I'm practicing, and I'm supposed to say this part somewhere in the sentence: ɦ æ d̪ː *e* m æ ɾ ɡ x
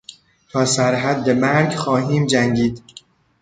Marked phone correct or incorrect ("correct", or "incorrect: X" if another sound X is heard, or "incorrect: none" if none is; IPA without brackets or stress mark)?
correct